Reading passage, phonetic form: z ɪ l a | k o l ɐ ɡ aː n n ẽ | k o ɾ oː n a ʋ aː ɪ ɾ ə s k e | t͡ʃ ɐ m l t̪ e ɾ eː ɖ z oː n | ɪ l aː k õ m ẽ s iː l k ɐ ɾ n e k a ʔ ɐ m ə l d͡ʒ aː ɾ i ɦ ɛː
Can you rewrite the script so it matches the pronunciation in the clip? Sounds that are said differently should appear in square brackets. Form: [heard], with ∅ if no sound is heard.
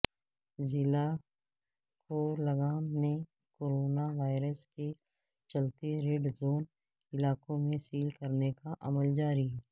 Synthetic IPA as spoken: z ɪ l a | k o l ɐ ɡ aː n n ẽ | k o ɾ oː n a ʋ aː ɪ ɾ ə s k e | t͡ʃ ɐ [∅] l t̪ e ɾ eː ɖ z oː n | ɪ l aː k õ m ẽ s iː l k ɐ ɾ n e k a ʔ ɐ m ə l d͡ʒ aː ɾ i ɦ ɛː